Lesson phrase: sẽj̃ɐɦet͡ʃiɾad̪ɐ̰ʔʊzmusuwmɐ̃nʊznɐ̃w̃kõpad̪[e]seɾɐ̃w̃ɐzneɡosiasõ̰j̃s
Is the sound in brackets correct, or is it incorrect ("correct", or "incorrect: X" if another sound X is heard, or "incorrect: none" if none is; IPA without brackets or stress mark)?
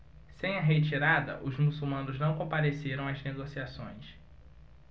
correct